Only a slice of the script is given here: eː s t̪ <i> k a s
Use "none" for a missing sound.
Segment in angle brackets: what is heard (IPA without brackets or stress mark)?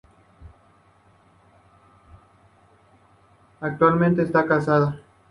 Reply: a